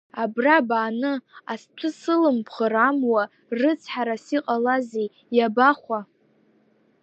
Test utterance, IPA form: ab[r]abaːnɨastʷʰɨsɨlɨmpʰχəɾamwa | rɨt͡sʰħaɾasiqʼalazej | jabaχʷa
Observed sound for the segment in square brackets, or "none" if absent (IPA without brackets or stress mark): r